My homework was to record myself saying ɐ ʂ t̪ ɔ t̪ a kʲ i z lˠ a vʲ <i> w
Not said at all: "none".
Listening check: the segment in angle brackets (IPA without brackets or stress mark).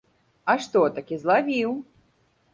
i